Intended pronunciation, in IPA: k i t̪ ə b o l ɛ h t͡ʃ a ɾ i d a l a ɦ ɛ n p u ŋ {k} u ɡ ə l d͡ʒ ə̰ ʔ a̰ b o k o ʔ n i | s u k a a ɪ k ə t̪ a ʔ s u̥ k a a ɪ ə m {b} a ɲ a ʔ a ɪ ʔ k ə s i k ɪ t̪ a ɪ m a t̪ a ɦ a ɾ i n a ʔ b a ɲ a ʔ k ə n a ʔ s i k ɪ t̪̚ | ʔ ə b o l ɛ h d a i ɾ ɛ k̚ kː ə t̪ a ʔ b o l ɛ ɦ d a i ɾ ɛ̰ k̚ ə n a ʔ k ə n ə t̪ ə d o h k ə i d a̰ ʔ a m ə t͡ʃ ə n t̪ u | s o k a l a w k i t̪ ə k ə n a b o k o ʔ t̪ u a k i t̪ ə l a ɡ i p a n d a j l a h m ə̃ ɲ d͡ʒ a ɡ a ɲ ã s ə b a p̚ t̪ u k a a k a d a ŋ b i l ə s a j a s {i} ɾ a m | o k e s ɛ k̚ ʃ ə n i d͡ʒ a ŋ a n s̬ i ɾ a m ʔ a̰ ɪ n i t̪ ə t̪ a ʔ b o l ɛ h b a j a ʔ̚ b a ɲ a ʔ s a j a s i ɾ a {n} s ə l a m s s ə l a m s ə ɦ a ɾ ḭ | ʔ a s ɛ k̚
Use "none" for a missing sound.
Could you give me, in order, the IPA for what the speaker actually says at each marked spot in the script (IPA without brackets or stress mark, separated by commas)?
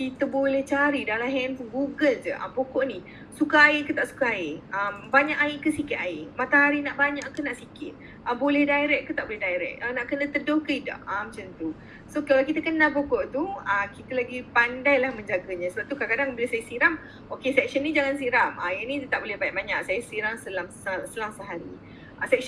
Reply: ɡ, b, i, ŋ